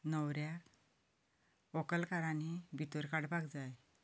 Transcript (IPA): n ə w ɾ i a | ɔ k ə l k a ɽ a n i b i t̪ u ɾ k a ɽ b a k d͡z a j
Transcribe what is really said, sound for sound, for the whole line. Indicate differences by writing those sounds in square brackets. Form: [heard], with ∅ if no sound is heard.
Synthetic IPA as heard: n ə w ɾ [j] a | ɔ k ə l k a [ɾ] a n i b i t̪ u ɾ k a ɽ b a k d͡z a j